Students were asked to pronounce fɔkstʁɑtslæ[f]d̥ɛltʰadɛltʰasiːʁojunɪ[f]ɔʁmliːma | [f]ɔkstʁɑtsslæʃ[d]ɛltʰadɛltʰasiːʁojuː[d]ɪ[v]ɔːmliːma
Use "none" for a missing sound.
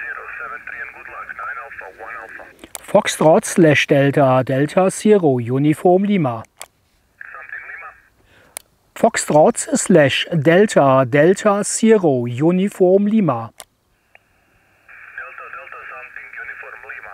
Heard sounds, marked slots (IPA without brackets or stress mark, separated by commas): ʃ, f, f, d, n, f